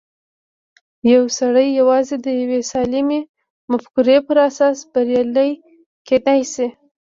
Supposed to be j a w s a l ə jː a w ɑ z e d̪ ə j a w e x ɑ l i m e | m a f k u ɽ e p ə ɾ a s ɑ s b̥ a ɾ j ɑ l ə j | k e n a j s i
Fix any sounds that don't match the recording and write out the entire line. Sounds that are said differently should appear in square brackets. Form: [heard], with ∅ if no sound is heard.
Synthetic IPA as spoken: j a w s a [ɽ] ə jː a w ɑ z e d̪ ə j a w e [s] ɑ l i m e | m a f k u [ɾ] e p ə ɾ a s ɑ s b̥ a ɾ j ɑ l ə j | k e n a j s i